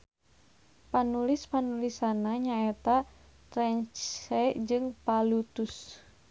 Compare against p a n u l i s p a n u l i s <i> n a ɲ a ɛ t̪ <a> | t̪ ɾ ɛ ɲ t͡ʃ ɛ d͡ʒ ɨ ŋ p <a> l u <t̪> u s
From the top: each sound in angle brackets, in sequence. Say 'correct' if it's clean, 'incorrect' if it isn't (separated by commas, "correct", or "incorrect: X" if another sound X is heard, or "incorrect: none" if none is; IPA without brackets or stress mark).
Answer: incorrect: a, correct, correct, correct